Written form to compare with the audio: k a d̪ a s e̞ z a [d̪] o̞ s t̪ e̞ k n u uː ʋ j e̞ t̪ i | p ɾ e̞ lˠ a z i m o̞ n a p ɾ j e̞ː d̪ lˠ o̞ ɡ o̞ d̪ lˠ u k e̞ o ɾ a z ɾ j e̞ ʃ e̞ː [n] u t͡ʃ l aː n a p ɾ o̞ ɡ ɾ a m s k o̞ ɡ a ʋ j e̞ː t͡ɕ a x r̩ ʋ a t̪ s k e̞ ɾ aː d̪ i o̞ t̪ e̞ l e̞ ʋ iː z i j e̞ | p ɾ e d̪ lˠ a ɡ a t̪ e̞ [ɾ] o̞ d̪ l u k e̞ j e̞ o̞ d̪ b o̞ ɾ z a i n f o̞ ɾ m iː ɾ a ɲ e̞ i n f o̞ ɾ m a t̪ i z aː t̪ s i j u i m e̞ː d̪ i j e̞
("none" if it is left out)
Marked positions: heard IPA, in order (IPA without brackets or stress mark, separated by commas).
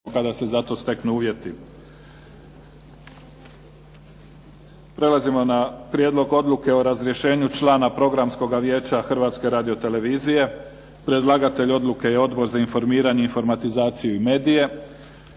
t̪, ɲ, ʎ